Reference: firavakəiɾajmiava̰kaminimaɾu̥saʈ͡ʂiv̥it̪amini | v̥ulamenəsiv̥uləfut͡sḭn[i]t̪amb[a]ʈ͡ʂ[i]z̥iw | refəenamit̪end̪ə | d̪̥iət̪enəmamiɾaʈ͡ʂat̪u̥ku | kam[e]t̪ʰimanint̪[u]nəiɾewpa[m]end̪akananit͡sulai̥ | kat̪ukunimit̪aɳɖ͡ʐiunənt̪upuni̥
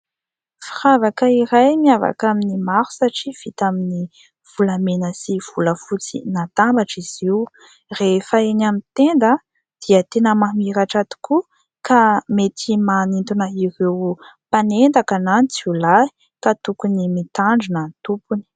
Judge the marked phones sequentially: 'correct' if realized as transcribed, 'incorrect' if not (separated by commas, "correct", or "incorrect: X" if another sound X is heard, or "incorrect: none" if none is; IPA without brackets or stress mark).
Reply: incorrect: a, correct, correct, correct, correct, incorrect: n